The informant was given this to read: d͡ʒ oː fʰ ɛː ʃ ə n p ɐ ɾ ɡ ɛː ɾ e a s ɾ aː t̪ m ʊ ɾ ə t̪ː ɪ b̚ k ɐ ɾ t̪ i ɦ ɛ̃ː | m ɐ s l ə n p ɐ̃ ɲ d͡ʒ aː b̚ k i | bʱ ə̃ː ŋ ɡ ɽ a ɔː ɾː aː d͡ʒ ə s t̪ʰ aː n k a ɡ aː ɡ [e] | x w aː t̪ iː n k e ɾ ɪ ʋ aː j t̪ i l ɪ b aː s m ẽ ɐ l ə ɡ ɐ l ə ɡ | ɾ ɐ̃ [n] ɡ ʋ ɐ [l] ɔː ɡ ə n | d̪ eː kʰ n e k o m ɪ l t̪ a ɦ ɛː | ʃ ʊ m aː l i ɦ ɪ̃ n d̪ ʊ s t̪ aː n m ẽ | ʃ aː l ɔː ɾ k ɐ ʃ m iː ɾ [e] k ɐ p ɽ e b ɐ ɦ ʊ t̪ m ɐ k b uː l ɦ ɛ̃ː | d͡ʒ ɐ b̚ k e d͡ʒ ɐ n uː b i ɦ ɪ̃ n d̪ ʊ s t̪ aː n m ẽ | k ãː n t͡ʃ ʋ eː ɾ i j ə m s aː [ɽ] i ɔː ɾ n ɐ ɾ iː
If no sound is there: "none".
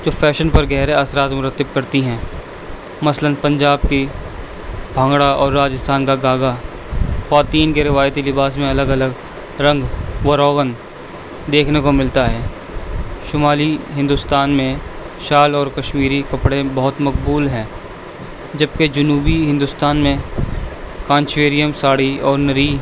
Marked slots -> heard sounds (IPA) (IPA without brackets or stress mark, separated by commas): a, ŋ, ɾ, i, ɽ